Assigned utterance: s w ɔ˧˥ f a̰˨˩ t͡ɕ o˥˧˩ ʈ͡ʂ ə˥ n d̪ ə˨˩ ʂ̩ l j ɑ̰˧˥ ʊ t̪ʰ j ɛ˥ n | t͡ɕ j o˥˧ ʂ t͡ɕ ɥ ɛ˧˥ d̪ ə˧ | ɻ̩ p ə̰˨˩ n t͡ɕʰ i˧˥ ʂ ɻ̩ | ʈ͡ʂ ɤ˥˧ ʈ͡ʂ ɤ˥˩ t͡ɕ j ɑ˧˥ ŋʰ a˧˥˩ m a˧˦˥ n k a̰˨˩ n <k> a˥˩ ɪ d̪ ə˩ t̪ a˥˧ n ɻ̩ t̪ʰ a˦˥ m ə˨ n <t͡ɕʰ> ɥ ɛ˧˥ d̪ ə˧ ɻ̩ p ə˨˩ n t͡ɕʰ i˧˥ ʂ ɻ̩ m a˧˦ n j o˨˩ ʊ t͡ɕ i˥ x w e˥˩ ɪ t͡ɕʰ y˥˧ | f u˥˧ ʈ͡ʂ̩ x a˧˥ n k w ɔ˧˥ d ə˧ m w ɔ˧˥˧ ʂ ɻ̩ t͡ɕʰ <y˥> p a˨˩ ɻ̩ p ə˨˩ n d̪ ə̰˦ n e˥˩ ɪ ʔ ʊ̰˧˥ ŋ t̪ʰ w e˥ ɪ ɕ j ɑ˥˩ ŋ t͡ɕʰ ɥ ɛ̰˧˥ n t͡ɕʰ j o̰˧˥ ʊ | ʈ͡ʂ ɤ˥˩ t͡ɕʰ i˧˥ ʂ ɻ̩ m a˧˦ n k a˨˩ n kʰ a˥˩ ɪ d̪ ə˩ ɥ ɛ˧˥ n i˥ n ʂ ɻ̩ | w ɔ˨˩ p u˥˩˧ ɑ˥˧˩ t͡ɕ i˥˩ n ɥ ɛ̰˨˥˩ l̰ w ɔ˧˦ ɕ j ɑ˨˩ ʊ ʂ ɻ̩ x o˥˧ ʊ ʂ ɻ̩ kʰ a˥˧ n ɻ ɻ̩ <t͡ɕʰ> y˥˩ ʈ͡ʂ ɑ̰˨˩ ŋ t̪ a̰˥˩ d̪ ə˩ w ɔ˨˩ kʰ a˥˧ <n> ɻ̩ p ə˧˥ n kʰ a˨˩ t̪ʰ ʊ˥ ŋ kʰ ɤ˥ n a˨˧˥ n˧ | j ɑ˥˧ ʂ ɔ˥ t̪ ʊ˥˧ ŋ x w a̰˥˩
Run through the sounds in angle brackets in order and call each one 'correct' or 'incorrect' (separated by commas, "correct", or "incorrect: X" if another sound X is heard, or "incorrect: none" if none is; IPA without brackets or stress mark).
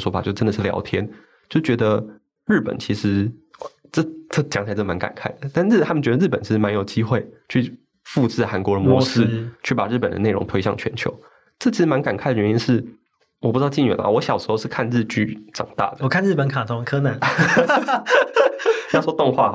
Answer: incorrect: kʰ, incorrect: t͡ɕ, incorrect: y˥˩, incorrect: t͡ɕ, correct